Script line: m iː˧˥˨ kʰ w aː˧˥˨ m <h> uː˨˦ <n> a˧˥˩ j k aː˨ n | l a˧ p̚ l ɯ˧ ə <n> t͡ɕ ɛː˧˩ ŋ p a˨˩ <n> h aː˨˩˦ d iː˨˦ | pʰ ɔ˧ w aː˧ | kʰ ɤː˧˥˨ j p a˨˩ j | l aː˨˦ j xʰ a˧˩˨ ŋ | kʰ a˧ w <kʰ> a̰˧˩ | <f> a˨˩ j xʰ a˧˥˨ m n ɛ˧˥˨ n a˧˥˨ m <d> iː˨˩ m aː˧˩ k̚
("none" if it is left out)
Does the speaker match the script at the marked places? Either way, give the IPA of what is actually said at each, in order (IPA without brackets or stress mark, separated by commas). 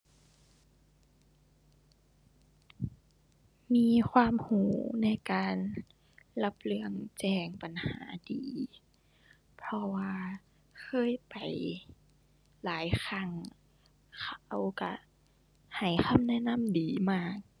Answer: h, n, ŋ, n, k, h, d